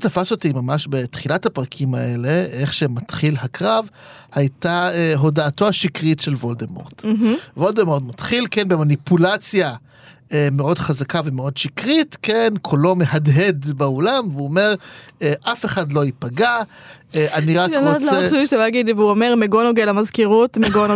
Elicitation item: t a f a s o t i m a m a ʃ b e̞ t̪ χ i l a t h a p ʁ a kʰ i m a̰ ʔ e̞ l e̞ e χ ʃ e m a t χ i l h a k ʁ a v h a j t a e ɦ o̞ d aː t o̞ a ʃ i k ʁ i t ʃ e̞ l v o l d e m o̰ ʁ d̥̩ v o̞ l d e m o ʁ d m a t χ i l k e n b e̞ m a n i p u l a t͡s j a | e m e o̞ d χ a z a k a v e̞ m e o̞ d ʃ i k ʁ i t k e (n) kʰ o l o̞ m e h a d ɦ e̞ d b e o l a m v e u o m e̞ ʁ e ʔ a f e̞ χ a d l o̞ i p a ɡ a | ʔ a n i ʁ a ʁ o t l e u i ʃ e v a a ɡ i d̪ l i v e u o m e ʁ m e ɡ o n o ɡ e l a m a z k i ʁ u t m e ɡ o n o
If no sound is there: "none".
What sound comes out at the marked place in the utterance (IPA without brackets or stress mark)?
n